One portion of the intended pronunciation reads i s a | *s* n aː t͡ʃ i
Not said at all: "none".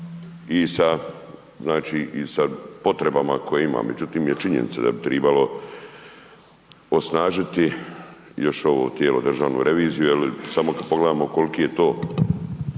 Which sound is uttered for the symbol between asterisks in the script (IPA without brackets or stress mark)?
z